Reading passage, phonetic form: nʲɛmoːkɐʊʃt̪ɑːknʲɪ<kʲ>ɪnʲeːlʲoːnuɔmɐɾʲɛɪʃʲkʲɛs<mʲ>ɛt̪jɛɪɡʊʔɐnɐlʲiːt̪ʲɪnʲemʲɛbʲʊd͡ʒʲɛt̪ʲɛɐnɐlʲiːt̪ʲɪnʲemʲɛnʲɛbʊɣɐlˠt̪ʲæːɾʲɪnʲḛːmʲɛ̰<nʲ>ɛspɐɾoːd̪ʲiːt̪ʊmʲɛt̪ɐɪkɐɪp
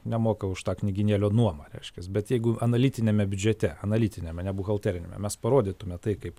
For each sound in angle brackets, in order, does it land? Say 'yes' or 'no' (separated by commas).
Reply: no, no, no